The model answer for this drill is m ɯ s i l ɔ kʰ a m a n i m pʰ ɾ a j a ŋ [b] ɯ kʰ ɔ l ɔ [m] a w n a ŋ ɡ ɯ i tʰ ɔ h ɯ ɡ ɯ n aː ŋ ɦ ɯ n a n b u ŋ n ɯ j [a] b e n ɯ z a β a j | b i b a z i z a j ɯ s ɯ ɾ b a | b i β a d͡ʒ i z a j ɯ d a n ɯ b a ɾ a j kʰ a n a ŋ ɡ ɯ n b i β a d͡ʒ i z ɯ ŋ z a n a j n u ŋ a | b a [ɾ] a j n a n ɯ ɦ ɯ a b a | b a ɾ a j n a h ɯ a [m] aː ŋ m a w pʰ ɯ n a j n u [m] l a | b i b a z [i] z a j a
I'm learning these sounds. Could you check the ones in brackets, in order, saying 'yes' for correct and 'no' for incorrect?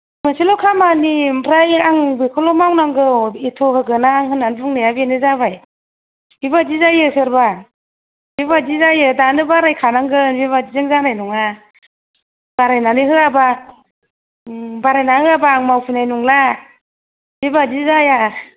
yes, yes, yes, yes, no, no, yes

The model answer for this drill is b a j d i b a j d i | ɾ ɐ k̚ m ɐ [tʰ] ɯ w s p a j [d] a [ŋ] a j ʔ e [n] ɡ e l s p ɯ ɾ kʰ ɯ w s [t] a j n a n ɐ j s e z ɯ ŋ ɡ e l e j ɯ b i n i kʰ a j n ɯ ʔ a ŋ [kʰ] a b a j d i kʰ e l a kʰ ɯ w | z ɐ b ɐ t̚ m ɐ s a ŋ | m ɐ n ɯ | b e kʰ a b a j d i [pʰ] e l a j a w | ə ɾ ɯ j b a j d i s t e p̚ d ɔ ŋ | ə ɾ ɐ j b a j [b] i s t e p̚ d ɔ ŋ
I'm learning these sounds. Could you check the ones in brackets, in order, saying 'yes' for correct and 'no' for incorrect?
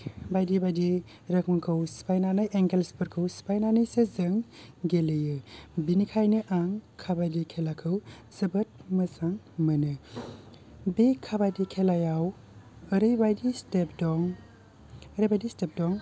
no, no, no, no, no, yes, no, no

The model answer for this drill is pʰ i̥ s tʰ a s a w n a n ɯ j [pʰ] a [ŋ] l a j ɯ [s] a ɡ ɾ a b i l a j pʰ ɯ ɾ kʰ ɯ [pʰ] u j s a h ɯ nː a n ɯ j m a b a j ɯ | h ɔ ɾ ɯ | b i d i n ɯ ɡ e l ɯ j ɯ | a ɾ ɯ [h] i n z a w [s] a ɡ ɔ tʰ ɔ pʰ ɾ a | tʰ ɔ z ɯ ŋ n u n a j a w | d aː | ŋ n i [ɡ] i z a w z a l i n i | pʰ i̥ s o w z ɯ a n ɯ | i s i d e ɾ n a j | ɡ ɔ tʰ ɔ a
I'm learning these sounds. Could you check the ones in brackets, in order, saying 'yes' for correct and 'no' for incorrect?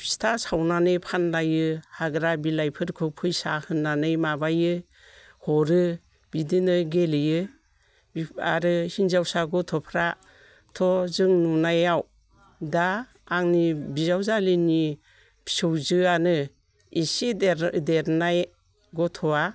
yes, no, no, yes, yes, yes, no

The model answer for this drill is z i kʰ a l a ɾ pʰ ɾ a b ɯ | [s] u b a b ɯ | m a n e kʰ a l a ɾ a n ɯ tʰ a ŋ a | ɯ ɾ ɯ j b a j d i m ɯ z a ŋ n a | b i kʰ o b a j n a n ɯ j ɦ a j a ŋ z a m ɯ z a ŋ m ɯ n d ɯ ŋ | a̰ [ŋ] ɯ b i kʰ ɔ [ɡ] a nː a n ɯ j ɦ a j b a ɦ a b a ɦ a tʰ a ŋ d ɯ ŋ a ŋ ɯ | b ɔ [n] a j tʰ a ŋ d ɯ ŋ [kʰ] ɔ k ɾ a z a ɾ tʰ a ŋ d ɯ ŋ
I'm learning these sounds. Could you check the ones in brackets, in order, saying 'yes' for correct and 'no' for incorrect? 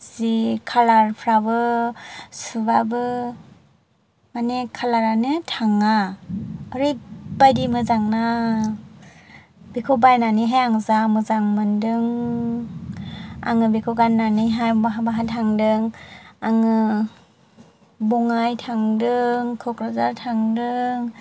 yes, yes, yes, no, yes

